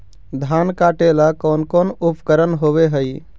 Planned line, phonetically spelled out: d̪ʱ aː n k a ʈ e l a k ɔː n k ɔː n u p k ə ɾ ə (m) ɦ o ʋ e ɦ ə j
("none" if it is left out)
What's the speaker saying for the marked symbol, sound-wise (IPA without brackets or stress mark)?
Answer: n